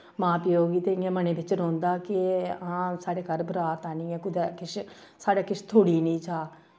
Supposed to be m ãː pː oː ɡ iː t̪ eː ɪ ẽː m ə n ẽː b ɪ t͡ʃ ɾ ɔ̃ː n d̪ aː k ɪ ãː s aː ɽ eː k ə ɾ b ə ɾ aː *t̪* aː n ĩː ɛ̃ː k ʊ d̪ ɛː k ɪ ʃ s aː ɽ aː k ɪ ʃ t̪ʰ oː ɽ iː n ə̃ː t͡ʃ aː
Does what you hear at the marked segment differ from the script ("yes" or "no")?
no